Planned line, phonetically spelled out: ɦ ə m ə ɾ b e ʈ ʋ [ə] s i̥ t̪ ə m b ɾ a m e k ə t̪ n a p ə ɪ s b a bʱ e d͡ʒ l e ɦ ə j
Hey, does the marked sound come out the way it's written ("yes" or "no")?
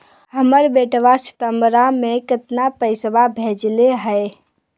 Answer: no